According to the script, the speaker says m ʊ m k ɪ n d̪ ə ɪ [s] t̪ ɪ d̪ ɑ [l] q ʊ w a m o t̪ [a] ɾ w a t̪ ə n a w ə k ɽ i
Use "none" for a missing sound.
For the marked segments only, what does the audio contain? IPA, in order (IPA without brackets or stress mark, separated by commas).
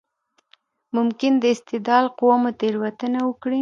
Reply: s, l, e